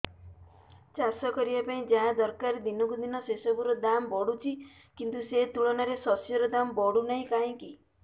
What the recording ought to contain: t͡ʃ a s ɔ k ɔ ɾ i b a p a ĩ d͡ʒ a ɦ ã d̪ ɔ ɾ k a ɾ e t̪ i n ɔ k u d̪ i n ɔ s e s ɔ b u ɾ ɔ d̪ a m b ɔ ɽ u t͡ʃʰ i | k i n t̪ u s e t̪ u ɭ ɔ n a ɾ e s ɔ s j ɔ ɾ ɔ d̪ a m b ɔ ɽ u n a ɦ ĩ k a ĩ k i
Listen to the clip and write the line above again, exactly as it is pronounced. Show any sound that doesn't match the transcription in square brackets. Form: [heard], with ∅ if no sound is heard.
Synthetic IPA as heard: t͡ʃ a s ɔ k ɔ ɾ i b a p a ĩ d͡ʒ a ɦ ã d̪ ɔ ɾ k a ɾ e [d̪] i n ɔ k u d̪ i n ɔ s e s ɔ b u ɾ ɔ d̪ a m b ɔ ɽ u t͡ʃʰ i | k i n t̪ u s e t̪ u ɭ ɔ n a ɾ e s ɔ s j ɔ ɾ ɔ d̪ a m b ɔ ɽ u n a ɦ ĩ k a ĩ k i